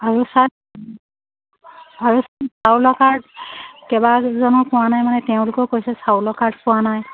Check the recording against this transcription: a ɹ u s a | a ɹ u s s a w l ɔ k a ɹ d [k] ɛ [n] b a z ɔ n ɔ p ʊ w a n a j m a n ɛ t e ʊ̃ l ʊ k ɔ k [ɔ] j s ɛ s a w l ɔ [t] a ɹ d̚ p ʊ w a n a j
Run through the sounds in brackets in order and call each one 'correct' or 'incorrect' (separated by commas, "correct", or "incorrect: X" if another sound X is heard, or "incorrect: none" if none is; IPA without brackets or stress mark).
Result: correct, incorrect: none, incorrect: o, incorrect: k